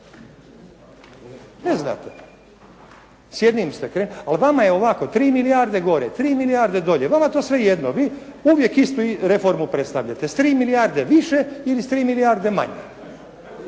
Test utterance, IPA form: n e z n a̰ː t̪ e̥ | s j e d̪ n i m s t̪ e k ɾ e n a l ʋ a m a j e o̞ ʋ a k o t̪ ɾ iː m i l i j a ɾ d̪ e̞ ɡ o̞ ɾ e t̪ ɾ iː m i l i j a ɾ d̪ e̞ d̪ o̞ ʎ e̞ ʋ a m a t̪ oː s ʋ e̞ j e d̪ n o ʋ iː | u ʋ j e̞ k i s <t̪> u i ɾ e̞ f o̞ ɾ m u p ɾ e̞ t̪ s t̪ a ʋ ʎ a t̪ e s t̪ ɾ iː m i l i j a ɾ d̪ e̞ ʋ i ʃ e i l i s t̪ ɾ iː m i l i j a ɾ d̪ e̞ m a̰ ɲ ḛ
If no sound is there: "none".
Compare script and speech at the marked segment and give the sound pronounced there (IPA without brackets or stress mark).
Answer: t̪